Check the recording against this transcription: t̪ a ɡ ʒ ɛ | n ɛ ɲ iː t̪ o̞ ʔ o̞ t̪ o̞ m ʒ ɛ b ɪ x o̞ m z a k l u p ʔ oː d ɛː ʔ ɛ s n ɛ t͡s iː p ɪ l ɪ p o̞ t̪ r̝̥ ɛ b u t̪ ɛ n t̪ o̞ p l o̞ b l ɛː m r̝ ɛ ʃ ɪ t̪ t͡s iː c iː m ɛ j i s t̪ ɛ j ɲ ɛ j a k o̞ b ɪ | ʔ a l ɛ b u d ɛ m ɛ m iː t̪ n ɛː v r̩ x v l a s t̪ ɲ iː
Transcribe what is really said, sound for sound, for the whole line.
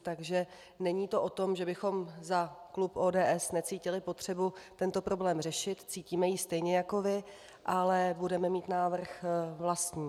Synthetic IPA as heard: t̪ a ɡ ʒ ɛ | n ɛ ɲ iː t̪ o̞ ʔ o̞ t̪ o̞ m ʒ ɛ b ɪ x o̞ m z a k l u p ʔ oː d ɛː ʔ ɛ s n ɛ t͡s iː c ɪ l ɪ p o̞ t̪ r̝̥ ɛ b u t̪ ɛ n t̪ o̞ p ɾ o̞ b l ɛː m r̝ ɛ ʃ ɪ t̪ t͡s iː c iː m ɛ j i s t̪ ɛ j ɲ ɛ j a k o̞ v ɪ | ʔ a l ɛ b u d ɛ m ɛ m iː t̪ n aː v r̩ x v l a s t̪ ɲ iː

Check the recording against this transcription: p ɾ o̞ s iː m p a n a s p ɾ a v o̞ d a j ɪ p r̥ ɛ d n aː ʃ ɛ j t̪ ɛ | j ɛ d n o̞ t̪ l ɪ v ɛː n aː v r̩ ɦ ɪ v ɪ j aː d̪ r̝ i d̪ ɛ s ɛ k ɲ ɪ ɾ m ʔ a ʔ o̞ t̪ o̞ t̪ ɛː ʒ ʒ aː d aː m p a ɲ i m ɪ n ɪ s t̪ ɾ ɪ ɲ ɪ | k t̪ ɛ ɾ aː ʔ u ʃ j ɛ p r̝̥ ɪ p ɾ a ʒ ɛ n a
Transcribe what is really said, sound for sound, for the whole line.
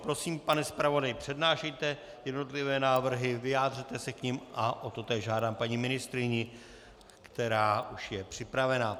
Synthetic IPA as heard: p ɾ o̞ s iː m p a n ɛ s p ɾ a v o̞ d a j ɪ p r̥ ɛ d n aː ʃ ɛ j t̪ ɛ | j ɛ d n o̞ t̪ l ɪ v ɛː n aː v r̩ ɦ ɪ v ɪ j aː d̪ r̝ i t̪ ɛ s ɛ k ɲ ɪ m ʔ a ʔ o̞ t̪ o̞ t̪ ɛː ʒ ʒ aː d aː m p a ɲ i m ɪ n ɪ s t̪ ɾ ɪ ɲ ɪ | k t̪ ɛ ɾ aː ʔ u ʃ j ɛ p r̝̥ ɪ p ɾ a v ɛ n a

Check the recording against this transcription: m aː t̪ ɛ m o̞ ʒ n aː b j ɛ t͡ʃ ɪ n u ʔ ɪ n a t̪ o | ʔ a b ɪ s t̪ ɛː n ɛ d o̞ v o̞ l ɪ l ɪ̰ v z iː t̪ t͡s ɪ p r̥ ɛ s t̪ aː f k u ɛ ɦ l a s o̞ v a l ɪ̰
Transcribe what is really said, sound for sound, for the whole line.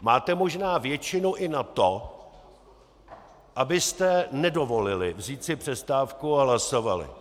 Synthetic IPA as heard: m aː t̪ ɛ m o̞ ʒ n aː v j ɛ t͡ʃ ɪ n u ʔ ɪ n a t̪ o | ʔ a b ɪ s t̪ ɛ n ɛ d o̞ v o̞ l ɪ l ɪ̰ v z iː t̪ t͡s ɪ p r̥ ɛ s t̪ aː f k u a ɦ l a s o̞ v a l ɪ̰

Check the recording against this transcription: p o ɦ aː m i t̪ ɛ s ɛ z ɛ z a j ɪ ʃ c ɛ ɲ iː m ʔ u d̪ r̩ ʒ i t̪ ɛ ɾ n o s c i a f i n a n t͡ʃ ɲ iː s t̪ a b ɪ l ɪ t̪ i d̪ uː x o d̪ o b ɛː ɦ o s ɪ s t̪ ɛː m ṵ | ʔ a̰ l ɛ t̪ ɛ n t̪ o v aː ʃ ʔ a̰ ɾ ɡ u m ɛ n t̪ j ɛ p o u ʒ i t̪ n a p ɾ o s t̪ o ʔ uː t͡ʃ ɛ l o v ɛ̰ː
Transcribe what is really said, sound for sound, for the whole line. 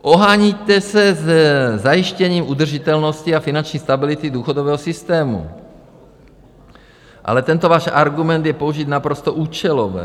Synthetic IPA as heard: ʔ o ɦ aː ɲ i t̪ ɛ s ɛ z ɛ z a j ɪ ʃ c ɛ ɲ iː m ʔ u d̪ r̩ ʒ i t̪ ɛ l n o s c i a f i n a n t͡ʃ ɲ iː s t̪ a b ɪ l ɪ t̪ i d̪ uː x o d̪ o v ɛː ɦ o s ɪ s t̪ ɛː m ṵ | ʔ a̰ l ɛ t̪ ɛ n t̪ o v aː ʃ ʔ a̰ ɾ ɡ u m ɛ n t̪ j ɛ p o u ʒ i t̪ n a p ɾ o s t̪ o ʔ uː t͡ʃ ɛ l o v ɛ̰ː

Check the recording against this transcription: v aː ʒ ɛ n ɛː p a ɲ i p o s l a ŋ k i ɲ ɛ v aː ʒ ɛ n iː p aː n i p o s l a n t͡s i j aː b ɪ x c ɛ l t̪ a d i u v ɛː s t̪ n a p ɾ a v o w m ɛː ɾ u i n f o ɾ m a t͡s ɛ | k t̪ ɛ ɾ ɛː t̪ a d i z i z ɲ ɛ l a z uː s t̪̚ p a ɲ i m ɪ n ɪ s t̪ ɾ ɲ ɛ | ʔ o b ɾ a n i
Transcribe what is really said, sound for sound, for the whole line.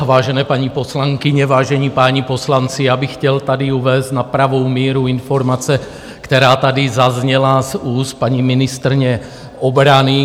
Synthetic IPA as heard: v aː ʒ ɛ n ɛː p a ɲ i p o s l a ŋ k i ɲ ɛ v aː ʒ ɛ ɲ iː p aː ɲ i p o s l a n t͡s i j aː b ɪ x c ɛ l t̪ a d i u v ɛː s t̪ n a p ɾ a v o w m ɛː ɾ u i n f o ɾ m a t͡s ɛ | k t̪ ɛ ɾ aː t̪ a d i z a z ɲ ɛ l a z uː s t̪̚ p a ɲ i m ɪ n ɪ s t̪ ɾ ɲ ɛ | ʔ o b ɾ a n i

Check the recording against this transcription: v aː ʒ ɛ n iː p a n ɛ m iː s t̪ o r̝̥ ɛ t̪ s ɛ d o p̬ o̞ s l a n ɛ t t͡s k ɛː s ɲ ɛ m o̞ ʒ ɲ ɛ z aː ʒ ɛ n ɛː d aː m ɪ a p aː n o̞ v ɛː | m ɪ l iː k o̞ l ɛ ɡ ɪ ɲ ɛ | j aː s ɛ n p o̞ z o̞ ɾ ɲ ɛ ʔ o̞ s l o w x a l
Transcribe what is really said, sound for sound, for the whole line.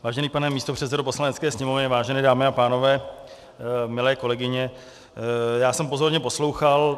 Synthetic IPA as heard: v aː ʒ ɛ n iː p a n ɛ m iː s t̪ o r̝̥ ɛ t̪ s ɛ d o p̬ o̞ s l a n ɛ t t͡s k ɛː s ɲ ɛ m o̞ v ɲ ɛ v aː ʒ ɛ n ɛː d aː m ɪ a p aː n o̞ v ɛː | m ɪ l ɛː k o̞ l ɛ ɡ ɪ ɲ ɛ | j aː s ɛ m p o̞ z o̞ ɾ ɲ ɛ p o̞ s l o w x a l

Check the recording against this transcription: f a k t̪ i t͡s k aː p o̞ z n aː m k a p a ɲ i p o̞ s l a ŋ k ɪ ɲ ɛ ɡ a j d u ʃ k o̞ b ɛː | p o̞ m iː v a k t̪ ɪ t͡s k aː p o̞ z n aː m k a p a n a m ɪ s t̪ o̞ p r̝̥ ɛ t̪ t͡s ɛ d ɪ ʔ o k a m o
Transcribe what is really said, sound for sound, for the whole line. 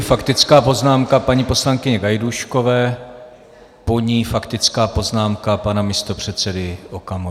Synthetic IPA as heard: f a k t̪ ɪ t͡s k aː p o̞ z n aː m k a p a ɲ i p o̞ s l a ŋ k ɪ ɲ ɛ ɡ a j d u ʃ k o̞ v ɛː | p o̞ ɲ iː f a k t̪ ɪ t͡s k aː p o̞ z n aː m k a p a n a m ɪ s t̪ o̞ p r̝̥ ɛ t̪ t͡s ɛ d ɪ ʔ o k a m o

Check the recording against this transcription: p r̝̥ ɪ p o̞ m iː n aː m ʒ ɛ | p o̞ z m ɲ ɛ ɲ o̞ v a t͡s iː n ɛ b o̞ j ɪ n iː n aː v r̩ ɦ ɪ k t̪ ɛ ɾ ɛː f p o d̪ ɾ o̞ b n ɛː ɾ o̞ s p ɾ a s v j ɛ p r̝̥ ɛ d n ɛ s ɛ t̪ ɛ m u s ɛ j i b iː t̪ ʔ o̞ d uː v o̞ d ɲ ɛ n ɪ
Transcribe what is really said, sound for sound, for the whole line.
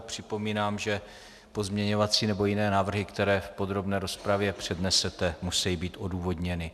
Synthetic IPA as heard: p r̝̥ ɪ p o̞ m iː n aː m ʒ ɛ | p o̞ z m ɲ ɛ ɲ o̞ v a t͡s iː n ɛ b o̞ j ɪ n ɛː n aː v r̩ ɦ ɪ k t̪ ɛ ɾ ɛː f p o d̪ ɾ o̞ b n ɛː ɾ o̞ s p ɾ a v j ɛ p r̝̥ ɛ d n ɛ s ɛ t̪ ɛ m u s ɛ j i b iː t̪ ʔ o̞ d uː v o̞ d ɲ ɛ n ɪ

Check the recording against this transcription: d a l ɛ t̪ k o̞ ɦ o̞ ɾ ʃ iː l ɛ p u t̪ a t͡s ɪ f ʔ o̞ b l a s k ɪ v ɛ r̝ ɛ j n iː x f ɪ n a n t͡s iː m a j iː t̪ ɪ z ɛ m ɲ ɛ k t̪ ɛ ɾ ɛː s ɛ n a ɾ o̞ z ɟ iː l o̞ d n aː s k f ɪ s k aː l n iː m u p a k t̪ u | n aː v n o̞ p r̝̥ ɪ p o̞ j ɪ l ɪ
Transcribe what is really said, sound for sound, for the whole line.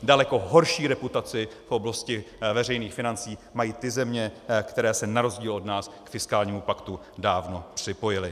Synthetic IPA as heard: d a l ɛ k o̞ ɦ o̞ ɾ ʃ iː ɾ ɛ p u t̪ a t͡s ɪ f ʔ o̞ b l a s c ɪ v ɛ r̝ ɛ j n iː x f ɪ n a n t͡s iː m a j iː t̪ ɪ z ɛ m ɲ ɛ k t̪ ɛ ɾ ɛː s ɛ n a ɾ o̞ z ɟ iː l o̞ d n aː s k f ɪ s k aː l ɲ iː m u p a k t̪ u | d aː v n o̞ p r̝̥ ɪ p o̞ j ɪ l ɪ

